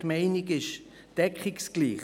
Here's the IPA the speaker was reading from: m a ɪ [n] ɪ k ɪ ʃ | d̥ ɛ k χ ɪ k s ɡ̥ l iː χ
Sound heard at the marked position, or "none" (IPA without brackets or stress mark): n